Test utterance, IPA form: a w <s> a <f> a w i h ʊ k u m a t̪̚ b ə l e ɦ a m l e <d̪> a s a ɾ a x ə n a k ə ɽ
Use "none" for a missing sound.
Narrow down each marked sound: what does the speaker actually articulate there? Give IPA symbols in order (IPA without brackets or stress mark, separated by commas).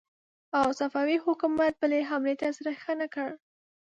s, f, t̪